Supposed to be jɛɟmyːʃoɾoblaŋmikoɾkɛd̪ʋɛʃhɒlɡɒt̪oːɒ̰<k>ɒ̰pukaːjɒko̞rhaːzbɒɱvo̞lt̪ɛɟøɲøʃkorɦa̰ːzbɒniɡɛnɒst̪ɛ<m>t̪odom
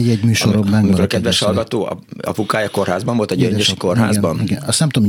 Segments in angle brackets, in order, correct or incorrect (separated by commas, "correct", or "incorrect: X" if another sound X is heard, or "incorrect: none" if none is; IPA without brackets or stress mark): incorrect: none, correct